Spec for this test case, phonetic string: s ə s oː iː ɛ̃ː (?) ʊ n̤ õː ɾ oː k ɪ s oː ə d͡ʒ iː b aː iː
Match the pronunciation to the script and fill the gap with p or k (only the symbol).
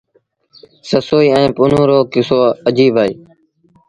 p